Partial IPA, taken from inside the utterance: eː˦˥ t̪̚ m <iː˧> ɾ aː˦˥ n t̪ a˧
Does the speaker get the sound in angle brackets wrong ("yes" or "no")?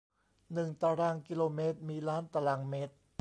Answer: no